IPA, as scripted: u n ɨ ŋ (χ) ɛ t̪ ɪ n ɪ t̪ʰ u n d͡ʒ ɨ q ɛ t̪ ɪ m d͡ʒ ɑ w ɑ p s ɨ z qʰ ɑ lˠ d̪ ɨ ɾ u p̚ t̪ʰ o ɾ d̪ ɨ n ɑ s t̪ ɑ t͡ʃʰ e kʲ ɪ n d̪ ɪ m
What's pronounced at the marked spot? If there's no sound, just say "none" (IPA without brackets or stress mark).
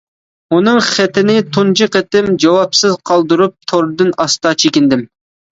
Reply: χ